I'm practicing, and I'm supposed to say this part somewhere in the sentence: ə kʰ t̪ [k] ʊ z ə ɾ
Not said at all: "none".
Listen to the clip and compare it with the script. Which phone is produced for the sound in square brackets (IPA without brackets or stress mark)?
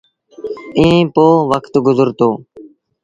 ɡ